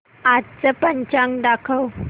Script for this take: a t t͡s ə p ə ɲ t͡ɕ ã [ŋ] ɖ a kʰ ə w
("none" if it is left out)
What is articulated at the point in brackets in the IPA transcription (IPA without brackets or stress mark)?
ŋ